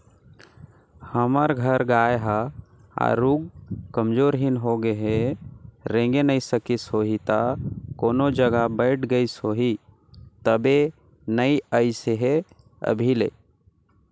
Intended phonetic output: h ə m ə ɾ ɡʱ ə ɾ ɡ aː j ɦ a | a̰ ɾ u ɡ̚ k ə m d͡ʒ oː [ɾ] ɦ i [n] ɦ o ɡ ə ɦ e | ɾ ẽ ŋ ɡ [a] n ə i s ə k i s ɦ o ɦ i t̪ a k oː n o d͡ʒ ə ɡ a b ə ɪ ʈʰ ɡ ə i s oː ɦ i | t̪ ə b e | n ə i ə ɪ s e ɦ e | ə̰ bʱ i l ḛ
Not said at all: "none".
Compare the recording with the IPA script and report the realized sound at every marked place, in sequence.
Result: ɾ, n, e

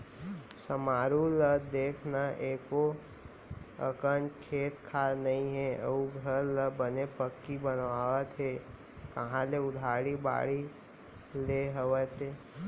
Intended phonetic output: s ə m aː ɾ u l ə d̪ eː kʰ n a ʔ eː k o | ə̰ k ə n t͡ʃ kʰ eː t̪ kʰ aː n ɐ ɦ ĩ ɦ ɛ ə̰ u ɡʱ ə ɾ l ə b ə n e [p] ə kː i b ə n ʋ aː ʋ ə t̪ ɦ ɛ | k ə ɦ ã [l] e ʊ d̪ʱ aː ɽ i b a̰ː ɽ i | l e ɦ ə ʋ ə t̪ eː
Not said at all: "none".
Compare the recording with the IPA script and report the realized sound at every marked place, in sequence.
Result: p, l

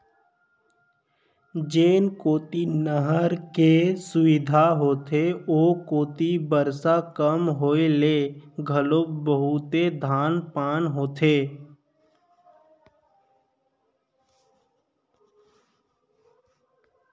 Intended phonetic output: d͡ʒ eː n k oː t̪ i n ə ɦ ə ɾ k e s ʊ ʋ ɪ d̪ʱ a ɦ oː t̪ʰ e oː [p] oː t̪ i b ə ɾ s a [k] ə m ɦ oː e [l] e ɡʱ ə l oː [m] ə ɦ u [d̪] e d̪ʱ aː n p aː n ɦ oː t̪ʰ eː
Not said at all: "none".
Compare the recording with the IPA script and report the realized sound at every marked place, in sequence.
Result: k, k, l, b, t̪

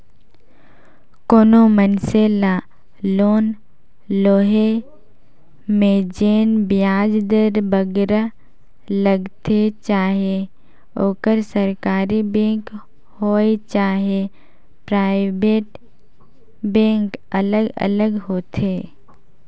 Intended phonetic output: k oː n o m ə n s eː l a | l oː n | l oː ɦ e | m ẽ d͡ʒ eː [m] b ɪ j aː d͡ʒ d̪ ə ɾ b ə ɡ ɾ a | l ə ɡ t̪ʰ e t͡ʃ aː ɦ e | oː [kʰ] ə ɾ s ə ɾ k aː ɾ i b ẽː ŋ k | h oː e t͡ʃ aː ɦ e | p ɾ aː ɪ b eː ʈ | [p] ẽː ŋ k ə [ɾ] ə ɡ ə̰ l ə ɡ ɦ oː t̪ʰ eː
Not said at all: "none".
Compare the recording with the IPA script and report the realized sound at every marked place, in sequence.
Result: n, k, b, l

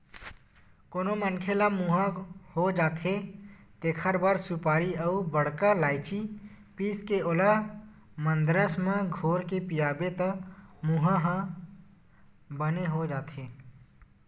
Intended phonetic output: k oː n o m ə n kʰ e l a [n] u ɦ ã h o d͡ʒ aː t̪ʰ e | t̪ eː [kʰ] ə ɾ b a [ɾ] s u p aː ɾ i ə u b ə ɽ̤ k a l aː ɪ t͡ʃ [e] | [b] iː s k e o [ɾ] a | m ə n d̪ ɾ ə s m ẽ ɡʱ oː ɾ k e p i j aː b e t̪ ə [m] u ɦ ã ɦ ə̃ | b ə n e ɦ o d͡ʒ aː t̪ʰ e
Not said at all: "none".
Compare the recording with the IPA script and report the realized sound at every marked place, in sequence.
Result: m, kʰ, ɾ, i, p, l, m

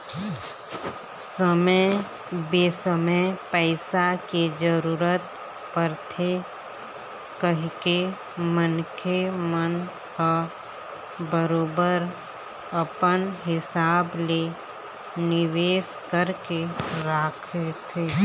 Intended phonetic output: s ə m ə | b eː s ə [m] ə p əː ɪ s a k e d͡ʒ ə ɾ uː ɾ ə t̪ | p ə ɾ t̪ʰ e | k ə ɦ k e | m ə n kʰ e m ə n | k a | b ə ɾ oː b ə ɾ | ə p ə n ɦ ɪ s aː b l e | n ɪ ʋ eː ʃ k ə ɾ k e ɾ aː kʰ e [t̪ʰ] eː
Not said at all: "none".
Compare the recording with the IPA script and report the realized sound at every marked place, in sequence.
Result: m, t̪ʰ

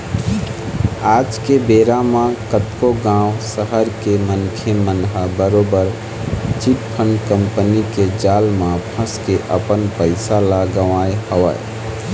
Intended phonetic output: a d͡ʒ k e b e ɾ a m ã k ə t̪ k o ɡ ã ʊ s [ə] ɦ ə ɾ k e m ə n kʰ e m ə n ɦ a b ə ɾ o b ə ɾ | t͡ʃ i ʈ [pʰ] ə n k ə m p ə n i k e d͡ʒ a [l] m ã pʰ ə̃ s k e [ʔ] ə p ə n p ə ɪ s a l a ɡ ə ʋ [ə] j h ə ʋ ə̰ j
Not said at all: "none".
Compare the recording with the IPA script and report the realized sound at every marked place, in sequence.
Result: ə, pʰ, l, ʔ, a

